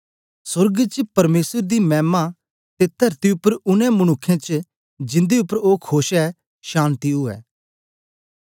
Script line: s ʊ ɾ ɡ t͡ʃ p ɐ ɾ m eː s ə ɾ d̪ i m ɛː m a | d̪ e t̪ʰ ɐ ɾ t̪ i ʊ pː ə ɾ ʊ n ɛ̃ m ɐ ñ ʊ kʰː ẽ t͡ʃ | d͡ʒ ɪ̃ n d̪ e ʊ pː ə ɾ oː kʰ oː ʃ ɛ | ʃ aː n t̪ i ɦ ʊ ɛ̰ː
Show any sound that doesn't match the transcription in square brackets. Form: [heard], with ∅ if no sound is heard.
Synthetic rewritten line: s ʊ ɾ ɡ t͡ʃ p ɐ ɾ m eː s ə ɾ d̪ i m ɛː m a | [t̪] e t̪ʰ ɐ ɾ t̪ i ʊ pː ə ɾ ʊ n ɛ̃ m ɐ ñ ʊ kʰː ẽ t͡ʃ | d͡ʒ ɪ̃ n d̪ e ʊ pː ə ɾ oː kʰ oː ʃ ɛ | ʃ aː n t̪ i ɦ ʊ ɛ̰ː